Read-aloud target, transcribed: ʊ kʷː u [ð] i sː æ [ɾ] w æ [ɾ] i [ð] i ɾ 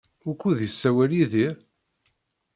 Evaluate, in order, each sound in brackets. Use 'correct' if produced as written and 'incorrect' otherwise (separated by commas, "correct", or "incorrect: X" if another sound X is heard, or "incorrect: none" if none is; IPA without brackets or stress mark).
correct, incorrect: none, incorrect: l, correct